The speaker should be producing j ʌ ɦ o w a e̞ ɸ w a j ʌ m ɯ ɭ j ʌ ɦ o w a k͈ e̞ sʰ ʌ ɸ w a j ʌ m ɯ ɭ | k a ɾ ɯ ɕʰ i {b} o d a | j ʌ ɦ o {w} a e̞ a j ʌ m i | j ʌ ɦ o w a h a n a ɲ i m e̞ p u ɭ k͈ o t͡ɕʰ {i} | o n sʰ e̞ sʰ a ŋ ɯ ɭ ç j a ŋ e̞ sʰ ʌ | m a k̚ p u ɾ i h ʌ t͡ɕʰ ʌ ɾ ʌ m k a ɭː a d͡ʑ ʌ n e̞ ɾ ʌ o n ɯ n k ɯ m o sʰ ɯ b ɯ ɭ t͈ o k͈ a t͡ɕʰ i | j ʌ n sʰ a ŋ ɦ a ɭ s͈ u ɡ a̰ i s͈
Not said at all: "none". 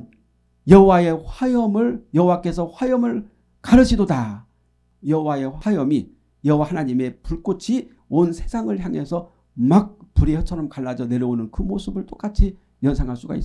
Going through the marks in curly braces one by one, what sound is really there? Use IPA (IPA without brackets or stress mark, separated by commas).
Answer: d, w, i